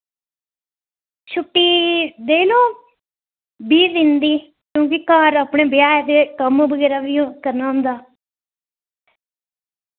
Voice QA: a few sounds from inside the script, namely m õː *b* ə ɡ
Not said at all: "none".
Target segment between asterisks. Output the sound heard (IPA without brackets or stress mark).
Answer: b